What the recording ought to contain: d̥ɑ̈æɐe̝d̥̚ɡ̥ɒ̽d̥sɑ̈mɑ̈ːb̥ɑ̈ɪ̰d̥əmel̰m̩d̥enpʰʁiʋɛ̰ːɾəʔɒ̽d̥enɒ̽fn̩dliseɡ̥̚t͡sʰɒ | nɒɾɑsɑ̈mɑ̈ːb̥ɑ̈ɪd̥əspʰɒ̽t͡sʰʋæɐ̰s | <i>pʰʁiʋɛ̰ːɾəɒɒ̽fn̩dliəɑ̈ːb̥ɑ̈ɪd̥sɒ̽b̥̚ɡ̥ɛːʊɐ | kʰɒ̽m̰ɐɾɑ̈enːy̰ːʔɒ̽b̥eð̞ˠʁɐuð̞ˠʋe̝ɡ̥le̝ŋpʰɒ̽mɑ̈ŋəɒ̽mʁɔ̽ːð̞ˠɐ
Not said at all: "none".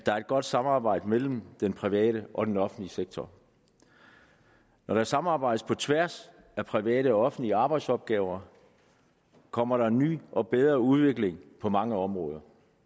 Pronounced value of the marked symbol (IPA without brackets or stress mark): æ